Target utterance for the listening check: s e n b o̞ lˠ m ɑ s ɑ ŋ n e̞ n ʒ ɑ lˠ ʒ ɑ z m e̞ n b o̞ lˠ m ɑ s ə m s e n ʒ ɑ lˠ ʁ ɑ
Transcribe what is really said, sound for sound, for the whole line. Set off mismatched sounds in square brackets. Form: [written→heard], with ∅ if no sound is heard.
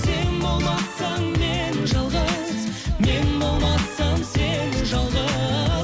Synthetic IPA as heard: s e n b o̞ lˠ m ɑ s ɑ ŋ [n→m] e̞ n ʒ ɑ lˠ [ʒ→ʁ] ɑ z m e̞ n b o̞ lˠ m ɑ s [ə→ɑ] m s e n ʒ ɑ lˠ ʁ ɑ